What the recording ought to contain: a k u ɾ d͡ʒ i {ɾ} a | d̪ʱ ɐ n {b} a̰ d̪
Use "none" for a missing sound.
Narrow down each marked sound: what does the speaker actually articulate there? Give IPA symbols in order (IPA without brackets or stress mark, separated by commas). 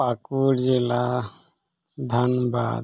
l, b